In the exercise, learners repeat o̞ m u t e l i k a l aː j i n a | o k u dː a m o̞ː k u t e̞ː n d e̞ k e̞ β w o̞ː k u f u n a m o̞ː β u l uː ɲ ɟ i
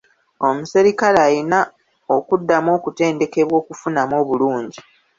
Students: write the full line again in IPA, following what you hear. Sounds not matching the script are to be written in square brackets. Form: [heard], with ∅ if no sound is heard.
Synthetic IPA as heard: o̞ m u [s] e [ɾ] i k a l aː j i n a | o k u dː a m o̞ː k u t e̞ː n d e̞ k e̞ β w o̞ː k u f u n a m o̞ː β u l uː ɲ ɟ i